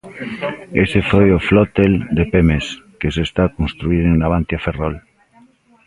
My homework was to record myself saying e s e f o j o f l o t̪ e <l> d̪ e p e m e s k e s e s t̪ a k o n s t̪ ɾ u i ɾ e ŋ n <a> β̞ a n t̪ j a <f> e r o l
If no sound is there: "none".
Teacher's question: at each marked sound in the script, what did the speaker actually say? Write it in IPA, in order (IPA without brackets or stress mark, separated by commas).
l, a, f